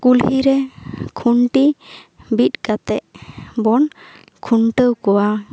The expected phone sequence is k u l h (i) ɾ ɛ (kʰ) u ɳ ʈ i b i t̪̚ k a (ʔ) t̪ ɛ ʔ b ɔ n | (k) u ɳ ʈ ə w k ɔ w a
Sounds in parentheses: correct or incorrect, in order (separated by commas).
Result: correct, correct, incorrect, incorrect